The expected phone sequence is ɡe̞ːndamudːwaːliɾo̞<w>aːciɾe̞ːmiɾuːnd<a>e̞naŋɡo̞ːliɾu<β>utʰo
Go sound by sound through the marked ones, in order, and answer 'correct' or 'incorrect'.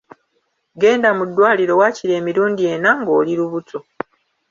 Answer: correct, incorrect: i, correct

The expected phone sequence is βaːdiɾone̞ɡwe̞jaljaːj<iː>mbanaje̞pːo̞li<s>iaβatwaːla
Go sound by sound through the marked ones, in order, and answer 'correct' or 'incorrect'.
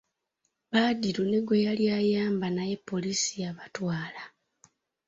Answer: incorrect: aː, correct

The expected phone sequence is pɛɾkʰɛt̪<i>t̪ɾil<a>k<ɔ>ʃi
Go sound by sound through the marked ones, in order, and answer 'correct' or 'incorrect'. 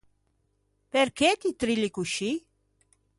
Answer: correct, incorrect: i, incorrect: u

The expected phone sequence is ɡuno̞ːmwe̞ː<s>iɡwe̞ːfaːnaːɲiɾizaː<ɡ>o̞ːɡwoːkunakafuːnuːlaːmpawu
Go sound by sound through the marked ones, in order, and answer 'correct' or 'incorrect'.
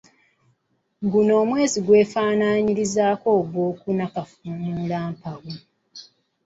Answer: incorrect: z, incorrect: k

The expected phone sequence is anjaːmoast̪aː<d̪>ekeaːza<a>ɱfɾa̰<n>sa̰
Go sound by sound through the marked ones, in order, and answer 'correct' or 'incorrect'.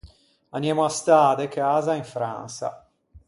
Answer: correct, incorrect: i, correct

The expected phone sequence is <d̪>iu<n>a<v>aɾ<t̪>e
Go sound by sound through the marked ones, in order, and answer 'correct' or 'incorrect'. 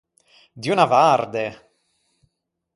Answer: correct, correct, correct, incorrect: d̪

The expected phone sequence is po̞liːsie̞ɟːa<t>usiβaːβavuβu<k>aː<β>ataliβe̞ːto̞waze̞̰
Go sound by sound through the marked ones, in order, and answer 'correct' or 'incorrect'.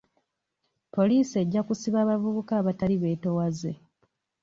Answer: incorrect: k, correct, correct

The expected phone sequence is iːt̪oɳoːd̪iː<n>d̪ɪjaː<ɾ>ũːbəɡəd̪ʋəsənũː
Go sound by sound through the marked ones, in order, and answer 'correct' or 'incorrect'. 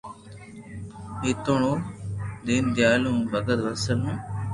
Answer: correct, incorrect: l

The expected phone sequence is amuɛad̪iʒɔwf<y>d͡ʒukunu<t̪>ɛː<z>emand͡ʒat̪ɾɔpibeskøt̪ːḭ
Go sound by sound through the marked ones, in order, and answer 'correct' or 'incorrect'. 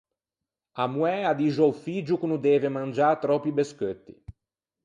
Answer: incorrect: i, incorrect: d̪, incorrect: v

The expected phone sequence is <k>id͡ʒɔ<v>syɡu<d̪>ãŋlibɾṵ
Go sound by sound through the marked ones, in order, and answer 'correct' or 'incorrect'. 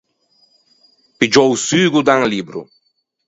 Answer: incorrect: p, incorrect: w, correct

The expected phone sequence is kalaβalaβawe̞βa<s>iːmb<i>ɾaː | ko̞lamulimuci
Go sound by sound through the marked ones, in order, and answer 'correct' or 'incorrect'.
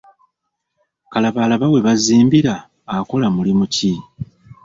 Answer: incorrect: z, correct

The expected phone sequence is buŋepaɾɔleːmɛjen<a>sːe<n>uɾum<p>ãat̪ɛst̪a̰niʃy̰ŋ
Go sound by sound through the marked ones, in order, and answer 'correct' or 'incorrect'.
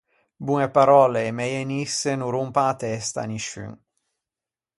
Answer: incorrect: i, correct, correct

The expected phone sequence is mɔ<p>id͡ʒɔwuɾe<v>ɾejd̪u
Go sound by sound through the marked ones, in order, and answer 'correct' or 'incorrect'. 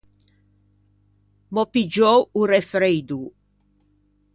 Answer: correct, incorrect: f

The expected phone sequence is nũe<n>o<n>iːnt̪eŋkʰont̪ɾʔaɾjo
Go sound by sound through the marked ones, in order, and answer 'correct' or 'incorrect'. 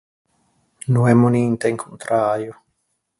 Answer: incorrect: m, correct

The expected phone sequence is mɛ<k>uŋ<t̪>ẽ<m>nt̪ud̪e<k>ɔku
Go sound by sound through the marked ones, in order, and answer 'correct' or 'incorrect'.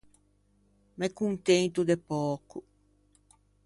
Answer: correct, correct, incorrect: none, incorrect: p

